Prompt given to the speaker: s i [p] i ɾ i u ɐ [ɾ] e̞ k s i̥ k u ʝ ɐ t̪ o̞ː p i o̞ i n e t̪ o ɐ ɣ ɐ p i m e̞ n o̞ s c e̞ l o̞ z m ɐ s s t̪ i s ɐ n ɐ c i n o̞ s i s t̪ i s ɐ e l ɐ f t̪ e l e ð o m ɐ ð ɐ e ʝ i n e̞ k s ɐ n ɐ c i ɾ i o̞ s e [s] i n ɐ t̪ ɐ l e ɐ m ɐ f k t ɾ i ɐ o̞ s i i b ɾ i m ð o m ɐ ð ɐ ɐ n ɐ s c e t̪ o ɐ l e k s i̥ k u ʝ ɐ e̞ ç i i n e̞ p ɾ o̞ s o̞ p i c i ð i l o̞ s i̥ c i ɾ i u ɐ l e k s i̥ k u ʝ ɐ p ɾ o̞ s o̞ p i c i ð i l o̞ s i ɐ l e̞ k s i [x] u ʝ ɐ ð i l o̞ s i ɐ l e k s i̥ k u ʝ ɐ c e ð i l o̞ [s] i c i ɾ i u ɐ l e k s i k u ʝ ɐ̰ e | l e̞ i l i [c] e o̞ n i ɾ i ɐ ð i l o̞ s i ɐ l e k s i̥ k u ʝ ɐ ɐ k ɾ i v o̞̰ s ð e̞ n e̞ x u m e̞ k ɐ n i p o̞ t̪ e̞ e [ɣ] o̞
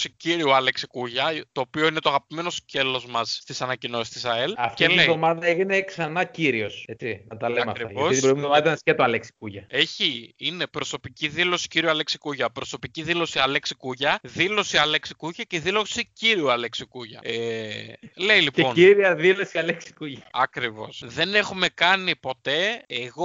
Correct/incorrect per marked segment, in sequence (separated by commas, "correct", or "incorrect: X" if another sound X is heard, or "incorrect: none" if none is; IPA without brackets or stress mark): incorrect: c, incorrect: l, incorrect: t͡s, incorrect: k, correct, incorrect: p, correct